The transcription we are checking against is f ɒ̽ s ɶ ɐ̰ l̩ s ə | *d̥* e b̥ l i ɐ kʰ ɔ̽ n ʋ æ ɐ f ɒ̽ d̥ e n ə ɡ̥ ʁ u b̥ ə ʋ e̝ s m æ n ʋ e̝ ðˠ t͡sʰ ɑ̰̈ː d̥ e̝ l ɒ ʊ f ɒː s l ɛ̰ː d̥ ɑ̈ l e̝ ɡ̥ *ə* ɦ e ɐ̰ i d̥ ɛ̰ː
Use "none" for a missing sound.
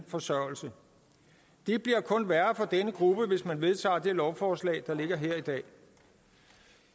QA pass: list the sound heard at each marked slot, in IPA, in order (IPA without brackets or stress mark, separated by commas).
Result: d̥, ɐ